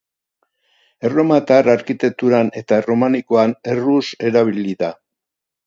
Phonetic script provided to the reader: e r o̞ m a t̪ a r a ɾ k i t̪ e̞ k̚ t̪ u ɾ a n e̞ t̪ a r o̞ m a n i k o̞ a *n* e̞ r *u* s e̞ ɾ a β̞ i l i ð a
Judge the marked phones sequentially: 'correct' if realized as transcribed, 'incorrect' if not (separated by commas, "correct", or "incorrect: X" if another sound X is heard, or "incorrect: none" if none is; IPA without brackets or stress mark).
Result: correct, correct